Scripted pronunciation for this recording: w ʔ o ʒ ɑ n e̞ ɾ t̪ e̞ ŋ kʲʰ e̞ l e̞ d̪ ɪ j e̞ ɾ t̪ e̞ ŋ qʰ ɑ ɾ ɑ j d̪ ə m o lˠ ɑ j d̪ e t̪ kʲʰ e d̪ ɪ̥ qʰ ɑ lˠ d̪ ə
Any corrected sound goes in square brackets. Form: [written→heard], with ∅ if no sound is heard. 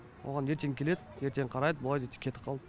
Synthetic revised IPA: w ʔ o [ʒ→ʁ] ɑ n e̞ ɾ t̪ e̞ ŋ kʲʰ e̞ l e̞ d̪ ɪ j e̞ ɾ t̪ e̞ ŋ qʰ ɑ ɾ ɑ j d̪ ə [m→b] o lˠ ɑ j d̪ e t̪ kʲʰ e [d̪→t̪] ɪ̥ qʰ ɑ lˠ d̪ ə